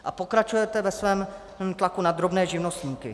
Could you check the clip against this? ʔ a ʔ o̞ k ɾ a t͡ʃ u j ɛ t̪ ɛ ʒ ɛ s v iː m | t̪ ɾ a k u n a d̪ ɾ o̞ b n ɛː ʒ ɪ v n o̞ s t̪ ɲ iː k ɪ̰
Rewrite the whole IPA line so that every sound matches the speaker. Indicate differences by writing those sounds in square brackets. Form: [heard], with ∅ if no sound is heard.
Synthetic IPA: ʔ a [p] o̞ k ɾ a t͡ʃ u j ɛ t̪ ɛ [v] ɛ s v [ɛː] m | t̪ [l] a k u n a d̪ ɾ o̞ b n ɛː ʒ ɪ v n o̞ s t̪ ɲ iː k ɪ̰